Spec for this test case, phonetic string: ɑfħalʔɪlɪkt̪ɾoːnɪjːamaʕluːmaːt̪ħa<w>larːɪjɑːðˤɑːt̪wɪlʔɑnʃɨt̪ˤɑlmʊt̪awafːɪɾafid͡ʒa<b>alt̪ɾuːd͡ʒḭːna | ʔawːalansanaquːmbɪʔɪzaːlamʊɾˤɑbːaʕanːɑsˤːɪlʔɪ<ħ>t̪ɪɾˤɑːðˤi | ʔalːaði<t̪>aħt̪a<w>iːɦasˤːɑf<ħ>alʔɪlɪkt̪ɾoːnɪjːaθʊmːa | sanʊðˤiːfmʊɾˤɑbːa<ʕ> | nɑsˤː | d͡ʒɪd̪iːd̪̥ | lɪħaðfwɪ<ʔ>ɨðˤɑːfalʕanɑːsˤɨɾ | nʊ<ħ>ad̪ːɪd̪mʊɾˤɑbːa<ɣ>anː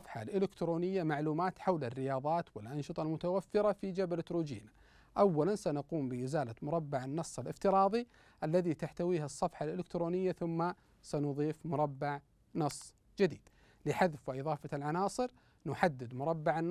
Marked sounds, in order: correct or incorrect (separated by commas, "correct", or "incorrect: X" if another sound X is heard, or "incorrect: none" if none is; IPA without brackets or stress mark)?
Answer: correct, correct, incorrect: f, correct, correct, correct, correct, correct, correct, incorrect: ʕ